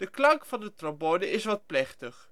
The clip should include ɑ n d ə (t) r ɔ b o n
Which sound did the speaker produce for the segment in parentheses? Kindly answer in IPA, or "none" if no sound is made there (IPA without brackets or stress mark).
t